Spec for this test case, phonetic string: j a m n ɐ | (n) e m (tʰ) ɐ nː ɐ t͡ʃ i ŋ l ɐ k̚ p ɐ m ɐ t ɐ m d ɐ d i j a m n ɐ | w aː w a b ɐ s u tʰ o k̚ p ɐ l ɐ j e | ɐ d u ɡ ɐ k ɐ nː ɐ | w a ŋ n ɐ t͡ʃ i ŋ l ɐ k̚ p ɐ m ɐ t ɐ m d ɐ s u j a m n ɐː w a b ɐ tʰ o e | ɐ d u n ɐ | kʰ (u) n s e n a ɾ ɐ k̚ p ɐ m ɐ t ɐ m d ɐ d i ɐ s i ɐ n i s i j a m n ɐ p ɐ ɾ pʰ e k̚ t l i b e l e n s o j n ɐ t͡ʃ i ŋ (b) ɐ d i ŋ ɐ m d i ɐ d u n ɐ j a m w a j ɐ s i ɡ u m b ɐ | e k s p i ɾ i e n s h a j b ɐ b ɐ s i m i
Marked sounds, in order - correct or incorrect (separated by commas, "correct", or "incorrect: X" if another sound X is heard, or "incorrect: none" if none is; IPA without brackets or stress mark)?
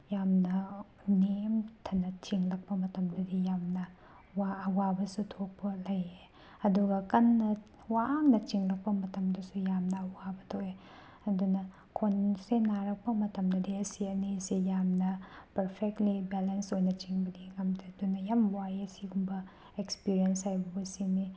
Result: correct, correct, incorrect: o, correct